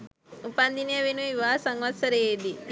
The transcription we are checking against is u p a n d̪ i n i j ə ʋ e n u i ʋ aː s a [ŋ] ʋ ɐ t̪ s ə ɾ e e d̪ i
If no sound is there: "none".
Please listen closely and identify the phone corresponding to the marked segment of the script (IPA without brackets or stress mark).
ŋ